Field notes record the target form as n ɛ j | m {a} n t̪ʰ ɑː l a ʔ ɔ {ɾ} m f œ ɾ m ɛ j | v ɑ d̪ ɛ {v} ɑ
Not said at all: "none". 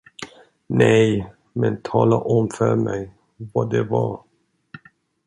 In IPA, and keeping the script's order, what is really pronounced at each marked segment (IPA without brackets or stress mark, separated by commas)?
ɛ, none, v